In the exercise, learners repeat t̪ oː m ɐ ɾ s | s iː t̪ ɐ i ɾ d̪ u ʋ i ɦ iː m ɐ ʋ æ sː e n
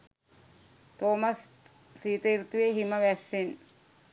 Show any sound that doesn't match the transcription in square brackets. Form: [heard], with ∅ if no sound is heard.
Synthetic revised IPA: t̪ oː m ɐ [∅] s | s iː t̪ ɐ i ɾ [t̪] u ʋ [e] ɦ [i] m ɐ ʋ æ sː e n